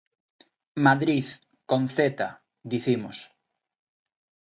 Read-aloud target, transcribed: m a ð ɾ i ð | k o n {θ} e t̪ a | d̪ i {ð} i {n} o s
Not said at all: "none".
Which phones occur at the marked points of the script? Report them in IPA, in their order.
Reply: θ, θ, m

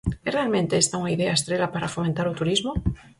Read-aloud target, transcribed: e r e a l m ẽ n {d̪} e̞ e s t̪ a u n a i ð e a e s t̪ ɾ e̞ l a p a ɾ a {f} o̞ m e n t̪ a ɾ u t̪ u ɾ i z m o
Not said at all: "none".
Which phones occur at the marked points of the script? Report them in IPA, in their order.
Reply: t̪, f

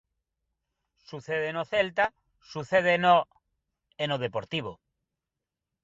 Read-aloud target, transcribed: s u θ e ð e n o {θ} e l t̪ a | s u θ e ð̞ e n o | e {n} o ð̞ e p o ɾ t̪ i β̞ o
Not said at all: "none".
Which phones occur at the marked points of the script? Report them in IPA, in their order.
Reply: θ, n

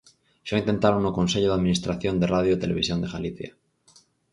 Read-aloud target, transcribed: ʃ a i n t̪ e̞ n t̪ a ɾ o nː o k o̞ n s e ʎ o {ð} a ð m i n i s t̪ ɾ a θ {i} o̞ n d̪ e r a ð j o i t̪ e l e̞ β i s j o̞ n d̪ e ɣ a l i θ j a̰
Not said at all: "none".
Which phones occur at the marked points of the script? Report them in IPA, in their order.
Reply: ð, j

